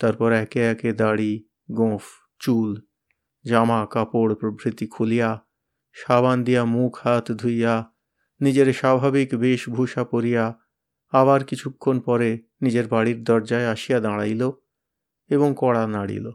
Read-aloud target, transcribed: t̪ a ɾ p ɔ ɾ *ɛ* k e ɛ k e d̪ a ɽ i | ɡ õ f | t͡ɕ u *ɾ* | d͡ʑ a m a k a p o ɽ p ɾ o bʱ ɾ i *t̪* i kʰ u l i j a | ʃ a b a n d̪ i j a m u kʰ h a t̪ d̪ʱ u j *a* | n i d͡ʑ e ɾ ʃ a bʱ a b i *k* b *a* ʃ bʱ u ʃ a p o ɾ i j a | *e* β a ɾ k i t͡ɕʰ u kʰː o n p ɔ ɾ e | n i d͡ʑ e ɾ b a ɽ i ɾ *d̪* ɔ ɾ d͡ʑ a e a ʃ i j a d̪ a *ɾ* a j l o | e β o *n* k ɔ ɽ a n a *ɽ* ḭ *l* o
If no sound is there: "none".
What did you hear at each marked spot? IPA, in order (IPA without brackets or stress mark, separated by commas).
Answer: ɛ, l, t̪, a, k, e, a, d̪, ɽ, ŋ, ɽ, l